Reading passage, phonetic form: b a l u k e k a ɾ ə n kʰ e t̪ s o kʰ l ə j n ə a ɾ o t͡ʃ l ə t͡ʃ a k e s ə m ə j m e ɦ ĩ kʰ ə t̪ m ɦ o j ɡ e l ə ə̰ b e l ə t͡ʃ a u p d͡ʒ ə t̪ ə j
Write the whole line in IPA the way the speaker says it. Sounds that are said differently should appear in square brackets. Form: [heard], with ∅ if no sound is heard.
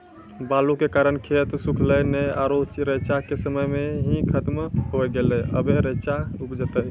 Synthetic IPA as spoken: b a l u k e k a ɾ ə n kʰ e t̪ s [u] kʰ l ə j n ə a ɾ o t͡ʃ [ɾ] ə t͡ʃ a k e s ə m ə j m e ɦ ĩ kʰ ə t̪ m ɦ o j ɡ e l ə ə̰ b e [ɾ] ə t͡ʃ a u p d͡ʒ ə t̪ ə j

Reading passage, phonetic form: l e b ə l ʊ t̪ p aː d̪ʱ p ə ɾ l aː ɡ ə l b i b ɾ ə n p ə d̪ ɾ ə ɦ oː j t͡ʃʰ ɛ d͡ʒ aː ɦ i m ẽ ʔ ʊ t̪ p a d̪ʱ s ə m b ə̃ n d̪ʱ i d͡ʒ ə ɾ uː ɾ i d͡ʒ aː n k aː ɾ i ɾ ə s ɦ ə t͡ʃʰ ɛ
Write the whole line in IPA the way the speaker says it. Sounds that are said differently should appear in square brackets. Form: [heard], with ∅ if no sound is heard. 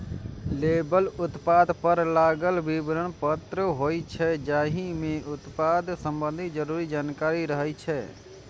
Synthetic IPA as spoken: l e b ə l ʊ t̪ p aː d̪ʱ p ə ɾ l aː ɡ ə l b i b ɾ ə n p ə [t̪] ɾ ə ɦ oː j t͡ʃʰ ɛ d͡ʒ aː ɦ i m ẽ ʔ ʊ t̪ p a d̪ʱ s ə m b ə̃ n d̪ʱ i d͡ʒ ə ɾ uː ɾ i d͡ʒ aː n k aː ɾ i ɾ ə [∅] ɦ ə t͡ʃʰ ɛ

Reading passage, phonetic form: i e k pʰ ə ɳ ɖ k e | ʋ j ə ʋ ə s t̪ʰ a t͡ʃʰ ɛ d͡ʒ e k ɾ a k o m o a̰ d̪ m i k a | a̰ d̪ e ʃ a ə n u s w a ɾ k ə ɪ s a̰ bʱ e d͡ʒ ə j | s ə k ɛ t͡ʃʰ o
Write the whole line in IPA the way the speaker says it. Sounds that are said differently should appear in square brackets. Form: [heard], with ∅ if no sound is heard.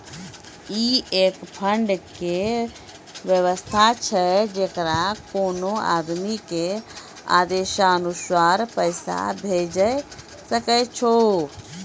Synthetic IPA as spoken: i e k pʰ ə ɳ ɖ k e | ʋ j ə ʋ ə s t̪ʰ a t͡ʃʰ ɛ d͡ʒ e k ɾ a k o [n] o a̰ d̪ m i k [e] | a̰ d̪ e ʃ a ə n u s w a ɾ [p] ə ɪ s a̰ bʱ e d͡ʒ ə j | s ə k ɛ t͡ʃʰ o

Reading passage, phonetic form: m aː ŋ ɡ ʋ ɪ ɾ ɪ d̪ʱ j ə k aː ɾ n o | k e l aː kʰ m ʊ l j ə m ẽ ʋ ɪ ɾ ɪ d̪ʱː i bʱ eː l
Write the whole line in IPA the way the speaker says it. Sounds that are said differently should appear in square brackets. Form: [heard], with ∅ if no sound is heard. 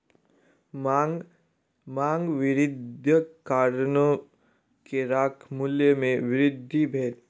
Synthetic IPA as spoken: m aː ŋ ɡ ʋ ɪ ɾ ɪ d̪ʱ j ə k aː ɾ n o | k e [ɾ] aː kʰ m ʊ l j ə m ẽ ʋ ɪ ɾ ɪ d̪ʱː i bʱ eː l

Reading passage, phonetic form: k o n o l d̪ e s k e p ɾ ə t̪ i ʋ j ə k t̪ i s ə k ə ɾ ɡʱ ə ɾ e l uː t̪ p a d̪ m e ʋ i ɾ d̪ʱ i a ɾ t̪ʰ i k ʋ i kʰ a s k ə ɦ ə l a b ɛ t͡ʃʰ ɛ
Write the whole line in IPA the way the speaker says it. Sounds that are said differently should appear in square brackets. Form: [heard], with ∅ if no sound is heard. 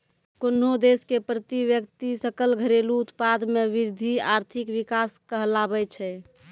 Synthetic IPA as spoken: k o n o [∅] d̪ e s k e p ɾ ə t̪ i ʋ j ə k t̪ i s ə k ə [l] ɡʱ ə ɾ e l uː t̪ p a d̪ m e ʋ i ɾ d̪ʱ i a ɾ t̪ʰ i k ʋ i [k] a s k ə ɦ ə l a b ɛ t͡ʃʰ ɛ

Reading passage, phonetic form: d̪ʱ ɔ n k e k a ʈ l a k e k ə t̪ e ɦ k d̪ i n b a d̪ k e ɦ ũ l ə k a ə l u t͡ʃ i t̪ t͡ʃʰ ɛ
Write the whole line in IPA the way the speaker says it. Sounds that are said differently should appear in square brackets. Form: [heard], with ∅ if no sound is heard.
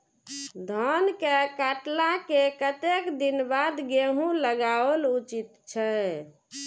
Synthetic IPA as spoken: d̪ʱ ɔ n k e k a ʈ l a k e k ə t̪ e [∅] k d̪ i n b a d̪ [ɡ] e ɦ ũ l ə [ɡ] a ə l u t͡ʃ i t̪ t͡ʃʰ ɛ

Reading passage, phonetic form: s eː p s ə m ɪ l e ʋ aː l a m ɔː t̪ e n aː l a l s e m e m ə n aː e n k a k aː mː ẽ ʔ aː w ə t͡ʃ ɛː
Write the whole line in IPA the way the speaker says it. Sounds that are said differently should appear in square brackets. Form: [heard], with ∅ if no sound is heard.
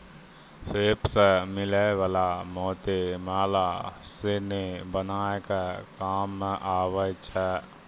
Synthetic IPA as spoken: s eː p s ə m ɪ l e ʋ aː l a m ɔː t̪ e [m] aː l a [∅] s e [n] e [b] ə n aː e [∅] k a k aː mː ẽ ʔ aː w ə t͡ʃ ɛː

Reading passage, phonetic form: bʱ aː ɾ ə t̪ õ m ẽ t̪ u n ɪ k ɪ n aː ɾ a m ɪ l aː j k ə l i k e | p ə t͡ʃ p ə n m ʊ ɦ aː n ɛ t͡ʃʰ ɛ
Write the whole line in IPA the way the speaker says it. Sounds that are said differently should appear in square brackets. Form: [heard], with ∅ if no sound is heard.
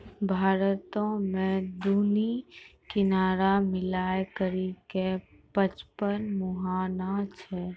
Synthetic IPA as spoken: bʱ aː ɾ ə t̪ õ m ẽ [d̪] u n [i] k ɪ n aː ɾ a m ɪ l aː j k ə [ɾ] i k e | p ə t͡ʃ p ə n m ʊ ɦ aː n [a] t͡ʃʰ ɛ

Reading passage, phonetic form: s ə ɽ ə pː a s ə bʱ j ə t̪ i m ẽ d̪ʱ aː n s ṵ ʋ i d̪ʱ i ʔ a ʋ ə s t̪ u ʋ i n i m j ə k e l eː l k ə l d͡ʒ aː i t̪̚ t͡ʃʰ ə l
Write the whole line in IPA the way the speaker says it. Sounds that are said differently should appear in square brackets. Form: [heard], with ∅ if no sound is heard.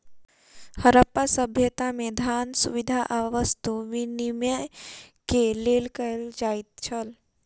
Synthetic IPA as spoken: [h] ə [ɾ] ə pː a s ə bʱ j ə t̪ [a] m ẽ d̪ʱ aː n s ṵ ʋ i d̪ʱ [a] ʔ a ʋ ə s t̪ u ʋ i n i m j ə k e l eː l k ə l d͡ʒ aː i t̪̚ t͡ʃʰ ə l

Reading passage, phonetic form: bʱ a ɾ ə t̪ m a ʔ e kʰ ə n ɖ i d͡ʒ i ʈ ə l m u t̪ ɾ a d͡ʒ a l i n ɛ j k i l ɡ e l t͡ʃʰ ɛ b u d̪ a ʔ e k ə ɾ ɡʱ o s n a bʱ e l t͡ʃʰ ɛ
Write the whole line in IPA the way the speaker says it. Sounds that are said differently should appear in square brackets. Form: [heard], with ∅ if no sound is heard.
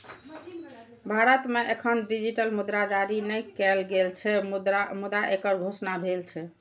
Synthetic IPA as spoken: bʱ a ɾ ə t̪ m [e] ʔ e kʰ ə n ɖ i d͡ʒ i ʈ ə l m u [d̪] ɾ a d͡ʒ a [ɾ] i n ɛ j k [ɛ] l ɡ e l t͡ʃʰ ɛ [m] u d̪ a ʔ e k ə ɾ ɡʱ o s n a bʱ e l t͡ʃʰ ɛ

